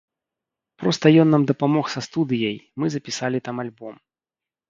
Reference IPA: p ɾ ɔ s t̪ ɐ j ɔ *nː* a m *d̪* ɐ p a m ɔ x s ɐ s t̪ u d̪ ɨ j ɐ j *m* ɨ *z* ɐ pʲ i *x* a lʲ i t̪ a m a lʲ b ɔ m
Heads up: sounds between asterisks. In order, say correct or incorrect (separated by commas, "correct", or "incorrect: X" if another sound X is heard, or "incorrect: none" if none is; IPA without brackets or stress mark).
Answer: correct, correct, correct, correct, incorrect: s